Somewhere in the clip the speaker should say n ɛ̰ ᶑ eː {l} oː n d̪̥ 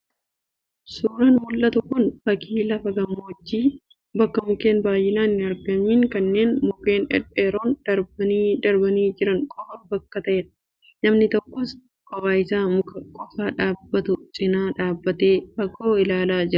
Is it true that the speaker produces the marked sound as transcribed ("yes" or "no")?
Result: no